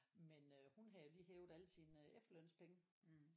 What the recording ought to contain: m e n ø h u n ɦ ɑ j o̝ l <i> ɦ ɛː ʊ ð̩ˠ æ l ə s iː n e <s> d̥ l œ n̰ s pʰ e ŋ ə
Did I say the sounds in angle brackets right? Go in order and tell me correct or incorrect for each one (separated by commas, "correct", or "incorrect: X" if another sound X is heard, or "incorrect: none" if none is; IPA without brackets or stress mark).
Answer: incorrect: iː, incorrect: f